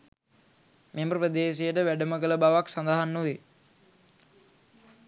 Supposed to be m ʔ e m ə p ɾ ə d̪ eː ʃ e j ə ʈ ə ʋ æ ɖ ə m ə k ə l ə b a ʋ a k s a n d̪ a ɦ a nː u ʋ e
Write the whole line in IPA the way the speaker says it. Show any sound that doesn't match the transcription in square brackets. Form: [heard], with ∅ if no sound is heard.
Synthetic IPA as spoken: m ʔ e m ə p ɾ ə d̪ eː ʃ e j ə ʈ ə ʋ æ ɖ ə m ə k ə l ə b a ʋ a k s a n d̪ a ɦ a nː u ʋ e